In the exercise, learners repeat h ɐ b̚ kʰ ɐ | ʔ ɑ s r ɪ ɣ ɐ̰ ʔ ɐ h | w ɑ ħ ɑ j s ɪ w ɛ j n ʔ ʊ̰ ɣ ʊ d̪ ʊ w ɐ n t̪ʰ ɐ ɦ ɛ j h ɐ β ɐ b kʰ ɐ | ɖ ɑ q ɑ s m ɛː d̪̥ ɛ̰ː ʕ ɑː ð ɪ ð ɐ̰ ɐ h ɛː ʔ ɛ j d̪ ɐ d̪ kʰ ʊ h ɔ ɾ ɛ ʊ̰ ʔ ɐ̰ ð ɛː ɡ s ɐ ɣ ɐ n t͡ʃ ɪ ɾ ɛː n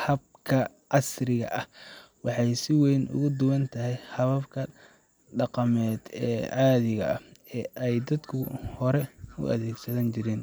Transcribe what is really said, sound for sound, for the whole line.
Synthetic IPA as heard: h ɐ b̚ kʰ ɐ | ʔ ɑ s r ɪ ɣ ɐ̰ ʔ ɐ h | w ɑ ħ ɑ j s ɪ w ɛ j n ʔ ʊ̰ ɣ ʊ d̪ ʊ w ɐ n t̪ʰ ɐ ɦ ɛ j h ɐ β ɐ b kʰ ɐ | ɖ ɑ q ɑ m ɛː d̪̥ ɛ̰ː ʕ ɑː ð ɪ ɣ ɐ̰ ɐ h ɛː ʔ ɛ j d̪ ɐ d̪ kʰ ʊ h ɔ ɾ ɛ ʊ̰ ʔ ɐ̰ ð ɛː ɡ s ɐ ð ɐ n t͡ʃ ɪ ɾ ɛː n